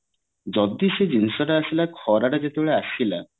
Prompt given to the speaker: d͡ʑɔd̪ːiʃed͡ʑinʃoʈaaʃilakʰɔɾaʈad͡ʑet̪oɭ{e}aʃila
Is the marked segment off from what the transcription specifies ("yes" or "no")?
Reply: no